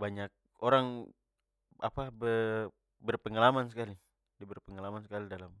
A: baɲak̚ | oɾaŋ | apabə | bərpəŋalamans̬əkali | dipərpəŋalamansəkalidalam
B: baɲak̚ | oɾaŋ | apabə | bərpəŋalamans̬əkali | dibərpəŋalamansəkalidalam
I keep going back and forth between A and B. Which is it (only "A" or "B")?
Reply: B